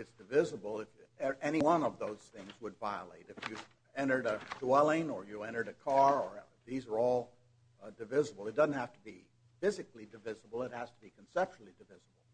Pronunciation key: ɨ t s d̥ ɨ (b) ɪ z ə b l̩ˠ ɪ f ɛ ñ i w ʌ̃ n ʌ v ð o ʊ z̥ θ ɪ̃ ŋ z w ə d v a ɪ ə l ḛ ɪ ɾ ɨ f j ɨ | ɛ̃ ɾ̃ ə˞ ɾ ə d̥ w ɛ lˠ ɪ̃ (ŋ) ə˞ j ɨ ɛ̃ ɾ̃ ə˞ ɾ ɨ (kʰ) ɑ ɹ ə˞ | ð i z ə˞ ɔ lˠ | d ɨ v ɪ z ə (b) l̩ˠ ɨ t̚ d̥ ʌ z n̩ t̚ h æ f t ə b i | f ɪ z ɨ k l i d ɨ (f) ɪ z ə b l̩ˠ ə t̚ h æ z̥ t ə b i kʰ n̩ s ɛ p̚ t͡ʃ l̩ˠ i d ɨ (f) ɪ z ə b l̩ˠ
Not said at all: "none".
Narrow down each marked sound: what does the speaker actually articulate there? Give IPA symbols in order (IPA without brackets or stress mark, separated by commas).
v, ŋ, kʰ, b, v, v